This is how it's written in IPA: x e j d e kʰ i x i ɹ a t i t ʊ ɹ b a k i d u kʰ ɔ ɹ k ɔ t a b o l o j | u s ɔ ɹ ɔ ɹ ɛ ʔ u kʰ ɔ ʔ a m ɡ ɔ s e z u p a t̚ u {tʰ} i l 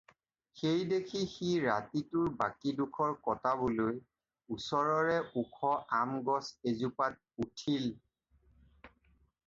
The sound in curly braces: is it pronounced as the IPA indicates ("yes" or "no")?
yes